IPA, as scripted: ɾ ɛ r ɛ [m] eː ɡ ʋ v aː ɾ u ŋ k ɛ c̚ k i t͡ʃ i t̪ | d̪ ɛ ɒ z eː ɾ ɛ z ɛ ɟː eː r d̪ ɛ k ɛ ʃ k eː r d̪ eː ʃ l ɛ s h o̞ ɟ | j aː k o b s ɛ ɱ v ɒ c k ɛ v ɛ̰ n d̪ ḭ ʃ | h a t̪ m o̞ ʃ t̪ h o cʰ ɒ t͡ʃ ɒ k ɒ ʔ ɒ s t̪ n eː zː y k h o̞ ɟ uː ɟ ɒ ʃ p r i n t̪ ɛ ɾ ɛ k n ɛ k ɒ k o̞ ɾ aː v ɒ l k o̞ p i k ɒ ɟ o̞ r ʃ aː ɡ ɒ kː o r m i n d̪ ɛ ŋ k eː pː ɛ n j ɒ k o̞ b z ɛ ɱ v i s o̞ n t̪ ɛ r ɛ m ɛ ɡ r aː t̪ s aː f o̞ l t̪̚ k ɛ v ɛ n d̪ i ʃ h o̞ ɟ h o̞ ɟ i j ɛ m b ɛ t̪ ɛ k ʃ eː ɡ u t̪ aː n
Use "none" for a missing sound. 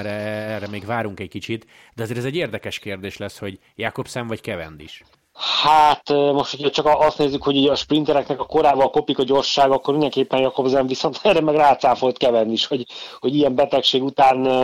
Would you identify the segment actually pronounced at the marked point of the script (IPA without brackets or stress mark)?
m